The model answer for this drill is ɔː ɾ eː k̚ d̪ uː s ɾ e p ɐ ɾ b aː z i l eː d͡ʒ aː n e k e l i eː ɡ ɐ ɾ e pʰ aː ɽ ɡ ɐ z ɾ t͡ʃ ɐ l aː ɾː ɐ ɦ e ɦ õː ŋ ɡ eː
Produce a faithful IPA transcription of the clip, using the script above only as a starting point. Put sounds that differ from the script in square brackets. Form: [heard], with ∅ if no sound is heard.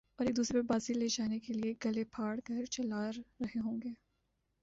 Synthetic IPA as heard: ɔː ɾ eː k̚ d̪ uː s ɾ e p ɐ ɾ b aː z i l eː d͡ʒ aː n e k e l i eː ɡ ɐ [l] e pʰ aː ɽ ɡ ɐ [∅] ɾ t͡ʃ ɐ l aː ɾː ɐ ɦ e ɦ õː ŋ ɡ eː